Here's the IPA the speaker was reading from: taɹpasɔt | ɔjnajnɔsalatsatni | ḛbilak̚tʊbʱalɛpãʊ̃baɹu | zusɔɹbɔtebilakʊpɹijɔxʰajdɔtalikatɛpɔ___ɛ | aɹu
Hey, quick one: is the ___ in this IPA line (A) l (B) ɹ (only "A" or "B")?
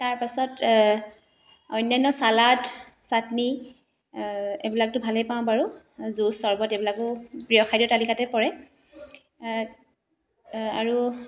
B